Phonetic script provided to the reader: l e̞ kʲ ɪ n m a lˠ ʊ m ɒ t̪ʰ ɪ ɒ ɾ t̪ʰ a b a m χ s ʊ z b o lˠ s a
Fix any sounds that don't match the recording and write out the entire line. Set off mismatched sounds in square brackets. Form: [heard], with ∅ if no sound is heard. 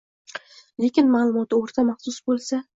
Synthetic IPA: l e̞ kʲ ɪ n m a lˠ ʊ m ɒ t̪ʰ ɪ [o] ɾ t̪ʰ a [m] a [∅] χ s ʊ [s] b o lˠ s a

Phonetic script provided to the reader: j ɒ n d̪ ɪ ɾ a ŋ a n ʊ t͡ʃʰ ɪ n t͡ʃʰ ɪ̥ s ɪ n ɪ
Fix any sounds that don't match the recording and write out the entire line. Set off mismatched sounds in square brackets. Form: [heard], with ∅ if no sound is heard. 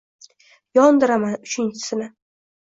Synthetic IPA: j ɒ n d̪ ɪ ɾ a [m] a n ʊ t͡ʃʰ ɪ n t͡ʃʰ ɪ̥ s ɪ n ɪ

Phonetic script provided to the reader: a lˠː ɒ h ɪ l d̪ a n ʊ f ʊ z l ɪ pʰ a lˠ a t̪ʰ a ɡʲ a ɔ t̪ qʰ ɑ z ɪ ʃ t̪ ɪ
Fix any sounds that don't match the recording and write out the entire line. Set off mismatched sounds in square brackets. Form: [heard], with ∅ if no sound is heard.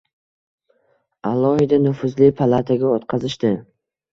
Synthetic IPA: a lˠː ɒ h ɪ [∅] d̪ a n ʊ f ʊ z l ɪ pʰ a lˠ a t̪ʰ a ɡʲ a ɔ t̪ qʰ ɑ z ɪ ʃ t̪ ɪ

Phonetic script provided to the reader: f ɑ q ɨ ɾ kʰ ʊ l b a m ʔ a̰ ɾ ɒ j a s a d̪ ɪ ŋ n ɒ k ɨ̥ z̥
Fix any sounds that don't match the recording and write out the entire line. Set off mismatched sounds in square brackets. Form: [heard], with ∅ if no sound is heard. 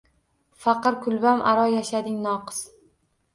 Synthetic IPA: f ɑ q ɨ ɾ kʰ ʊ l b a m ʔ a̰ ɾ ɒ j a [ʃ] a d̪ ɪ ŋ n ɒ [q] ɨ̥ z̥

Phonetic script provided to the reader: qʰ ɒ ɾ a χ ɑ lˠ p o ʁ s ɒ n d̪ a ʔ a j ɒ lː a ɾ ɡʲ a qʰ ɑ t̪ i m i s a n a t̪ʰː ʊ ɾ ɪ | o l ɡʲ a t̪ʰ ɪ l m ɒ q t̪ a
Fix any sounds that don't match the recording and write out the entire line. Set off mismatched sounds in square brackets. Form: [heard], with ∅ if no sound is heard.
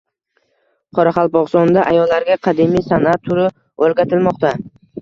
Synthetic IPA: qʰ ɒ ɾ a χ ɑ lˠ p [ɒ] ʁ s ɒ n d̪ a ʔ a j ɒ lː a ɾ ɡʲ a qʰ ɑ [d̪] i m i s a n a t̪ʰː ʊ ɾ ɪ | o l ɡʲ a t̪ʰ ɪ l m ɒ q t̪ a

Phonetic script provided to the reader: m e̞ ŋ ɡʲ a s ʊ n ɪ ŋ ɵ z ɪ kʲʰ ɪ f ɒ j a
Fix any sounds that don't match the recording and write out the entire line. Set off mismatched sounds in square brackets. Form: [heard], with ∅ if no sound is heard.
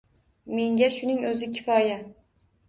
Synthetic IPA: m e̞ ŋ ɡʲ a [ʃ] ʊ n ɪ ŋ ɵ z ɪ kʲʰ ɪ f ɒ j a

